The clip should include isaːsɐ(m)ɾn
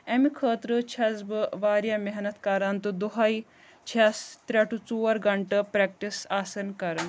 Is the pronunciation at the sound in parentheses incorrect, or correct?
incorrect